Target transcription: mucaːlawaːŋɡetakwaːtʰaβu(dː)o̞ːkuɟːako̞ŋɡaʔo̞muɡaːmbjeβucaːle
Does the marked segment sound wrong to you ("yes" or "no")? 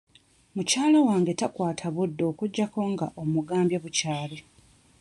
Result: no